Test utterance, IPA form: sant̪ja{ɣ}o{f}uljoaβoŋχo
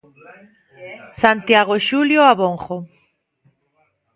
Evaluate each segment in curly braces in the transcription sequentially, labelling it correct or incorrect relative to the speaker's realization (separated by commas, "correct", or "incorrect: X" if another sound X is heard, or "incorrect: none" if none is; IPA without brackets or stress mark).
correct, incorrect: ʃ